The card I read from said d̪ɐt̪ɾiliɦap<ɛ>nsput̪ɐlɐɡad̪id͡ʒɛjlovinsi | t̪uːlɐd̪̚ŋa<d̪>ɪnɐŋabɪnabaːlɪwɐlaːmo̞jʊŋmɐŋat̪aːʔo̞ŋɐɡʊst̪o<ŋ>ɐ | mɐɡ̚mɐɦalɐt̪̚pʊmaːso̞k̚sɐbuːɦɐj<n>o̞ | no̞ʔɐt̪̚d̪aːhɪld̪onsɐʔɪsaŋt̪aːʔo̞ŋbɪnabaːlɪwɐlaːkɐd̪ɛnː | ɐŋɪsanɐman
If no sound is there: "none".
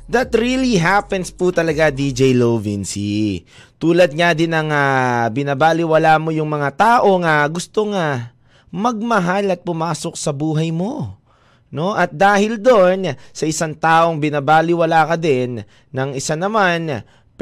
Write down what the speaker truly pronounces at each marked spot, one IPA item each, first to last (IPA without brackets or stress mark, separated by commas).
ɛ, d̪, ŋ, m